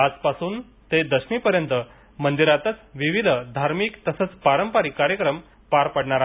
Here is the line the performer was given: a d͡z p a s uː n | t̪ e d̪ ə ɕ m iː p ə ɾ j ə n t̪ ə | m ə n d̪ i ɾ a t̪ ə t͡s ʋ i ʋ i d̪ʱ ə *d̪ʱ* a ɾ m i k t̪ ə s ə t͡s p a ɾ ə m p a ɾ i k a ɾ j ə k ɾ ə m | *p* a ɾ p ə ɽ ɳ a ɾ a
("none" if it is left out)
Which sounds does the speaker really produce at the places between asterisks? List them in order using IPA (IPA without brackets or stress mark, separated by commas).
d̪ʱ, p